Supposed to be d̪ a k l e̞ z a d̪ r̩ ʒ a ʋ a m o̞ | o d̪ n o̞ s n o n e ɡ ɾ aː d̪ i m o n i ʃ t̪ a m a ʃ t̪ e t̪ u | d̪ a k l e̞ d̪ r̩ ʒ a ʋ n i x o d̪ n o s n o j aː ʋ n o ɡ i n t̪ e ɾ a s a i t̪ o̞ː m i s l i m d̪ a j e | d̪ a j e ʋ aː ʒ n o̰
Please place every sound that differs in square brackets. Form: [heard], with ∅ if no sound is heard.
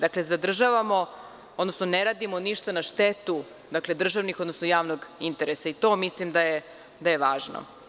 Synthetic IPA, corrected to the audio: d̪ a k l e̞ z a d̪ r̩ ʒ a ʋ a m o̞ | o d̪ n o̞ s n o n e [∅] ɾ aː d̪ i m o n i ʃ t̪ a [n] a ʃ t̪ e t̪ u | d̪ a k l e̞ d̪ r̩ ʒ a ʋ n i x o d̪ n o s n o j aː ʋ n o ɡ i n t̪ e ɾ [e] s a i t̪ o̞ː m i s l i m d̪ a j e | d̪ a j e ʋ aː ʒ n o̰